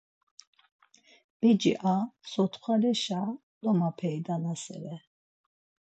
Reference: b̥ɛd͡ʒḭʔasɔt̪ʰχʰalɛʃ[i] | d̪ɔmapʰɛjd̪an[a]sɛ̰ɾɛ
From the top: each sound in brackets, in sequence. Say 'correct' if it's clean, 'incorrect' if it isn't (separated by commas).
incorrect, correct